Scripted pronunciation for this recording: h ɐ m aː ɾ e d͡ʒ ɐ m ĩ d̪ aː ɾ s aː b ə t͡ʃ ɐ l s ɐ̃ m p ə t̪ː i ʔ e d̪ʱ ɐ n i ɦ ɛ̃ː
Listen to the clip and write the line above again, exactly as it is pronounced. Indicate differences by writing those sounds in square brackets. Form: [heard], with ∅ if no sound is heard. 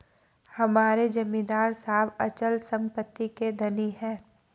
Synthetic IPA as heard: h ɐ m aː ɾ e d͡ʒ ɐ m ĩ d̪ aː ɾ s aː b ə t͡ʃ [ə] l s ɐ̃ m p ə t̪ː i [k] e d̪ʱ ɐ n i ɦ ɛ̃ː